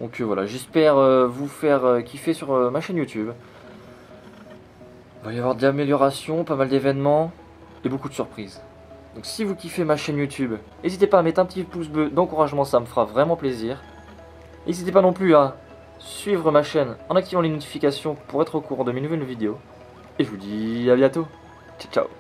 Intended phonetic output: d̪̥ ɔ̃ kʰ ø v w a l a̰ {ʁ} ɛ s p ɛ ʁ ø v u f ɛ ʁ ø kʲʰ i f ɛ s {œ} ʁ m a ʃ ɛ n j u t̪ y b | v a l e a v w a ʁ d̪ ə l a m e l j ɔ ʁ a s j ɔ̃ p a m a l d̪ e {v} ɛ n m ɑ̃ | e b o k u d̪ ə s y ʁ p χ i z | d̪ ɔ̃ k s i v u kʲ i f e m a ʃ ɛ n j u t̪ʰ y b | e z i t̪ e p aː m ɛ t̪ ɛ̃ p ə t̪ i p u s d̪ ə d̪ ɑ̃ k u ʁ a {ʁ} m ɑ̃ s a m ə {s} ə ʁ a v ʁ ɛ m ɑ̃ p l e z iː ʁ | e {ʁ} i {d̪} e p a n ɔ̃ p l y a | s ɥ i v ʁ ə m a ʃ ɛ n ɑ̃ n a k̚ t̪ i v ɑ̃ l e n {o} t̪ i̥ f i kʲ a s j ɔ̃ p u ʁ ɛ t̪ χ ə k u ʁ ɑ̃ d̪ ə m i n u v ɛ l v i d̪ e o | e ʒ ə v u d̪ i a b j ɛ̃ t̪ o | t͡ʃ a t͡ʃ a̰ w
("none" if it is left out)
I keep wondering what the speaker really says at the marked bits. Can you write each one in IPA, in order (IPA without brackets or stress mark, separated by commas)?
ʒ, y, v, ʒ, f, z, t̪, ɔ